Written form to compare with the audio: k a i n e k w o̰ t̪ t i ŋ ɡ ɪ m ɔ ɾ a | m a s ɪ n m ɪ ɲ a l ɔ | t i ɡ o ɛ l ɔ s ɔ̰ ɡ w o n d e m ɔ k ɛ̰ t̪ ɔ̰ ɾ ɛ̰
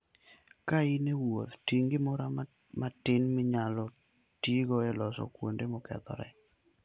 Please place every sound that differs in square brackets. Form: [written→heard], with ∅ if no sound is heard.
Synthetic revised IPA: k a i n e [k→∅] w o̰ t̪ t i ŋ ɡ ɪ m ɔ ɾ a | m a [s→t] ɪ n m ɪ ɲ a l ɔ | t i ɡ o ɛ l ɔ s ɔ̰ [ɡ→k] w o n d e m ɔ k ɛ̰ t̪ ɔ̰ ɾ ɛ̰